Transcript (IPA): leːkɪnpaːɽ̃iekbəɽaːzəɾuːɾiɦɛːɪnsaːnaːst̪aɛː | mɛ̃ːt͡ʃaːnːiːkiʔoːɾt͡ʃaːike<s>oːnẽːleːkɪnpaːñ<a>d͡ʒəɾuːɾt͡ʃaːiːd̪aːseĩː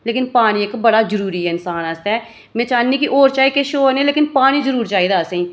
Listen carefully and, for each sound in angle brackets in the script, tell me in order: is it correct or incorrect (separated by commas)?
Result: incorrect, incorrect